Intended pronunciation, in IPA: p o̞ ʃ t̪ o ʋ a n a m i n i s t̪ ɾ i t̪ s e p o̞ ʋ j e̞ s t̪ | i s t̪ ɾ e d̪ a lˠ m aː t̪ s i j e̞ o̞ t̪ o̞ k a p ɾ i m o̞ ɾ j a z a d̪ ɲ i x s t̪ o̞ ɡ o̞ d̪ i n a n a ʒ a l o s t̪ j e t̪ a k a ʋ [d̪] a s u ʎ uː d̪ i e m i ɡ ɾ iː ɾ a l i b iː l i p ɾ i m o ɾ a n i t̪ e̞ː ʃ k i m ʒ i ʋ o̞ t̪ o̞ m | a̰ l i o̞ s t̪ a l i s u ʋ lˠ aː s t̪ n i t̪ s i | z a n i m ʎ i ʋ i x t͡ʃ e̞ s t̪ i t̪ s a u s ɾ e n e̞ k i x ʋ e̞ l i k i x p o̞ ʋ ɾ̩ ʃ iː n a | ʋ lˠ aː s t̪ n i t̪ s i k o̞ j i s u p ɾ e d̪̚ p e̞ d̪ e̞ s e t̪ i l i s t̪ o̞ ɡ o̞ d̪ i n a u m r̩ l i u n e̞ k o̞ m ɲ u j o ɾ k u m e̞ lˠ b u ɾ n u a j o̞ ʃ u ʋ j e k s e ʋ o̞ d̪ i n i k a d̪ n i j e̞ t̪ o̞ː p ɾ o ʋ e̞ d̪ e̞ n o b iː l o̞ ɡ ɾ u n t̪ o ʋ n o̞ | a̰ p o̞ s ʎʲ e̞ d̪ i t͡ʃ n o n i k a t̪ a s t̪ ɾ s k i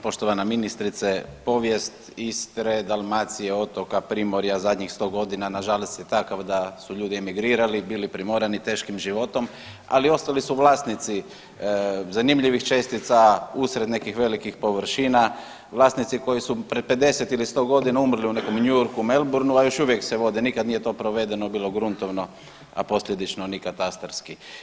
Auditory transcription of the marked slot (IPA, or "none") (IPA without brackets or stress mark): d̪